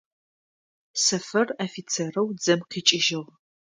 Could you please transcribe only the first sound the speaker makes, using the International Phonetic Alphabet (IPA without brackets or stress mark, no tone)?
s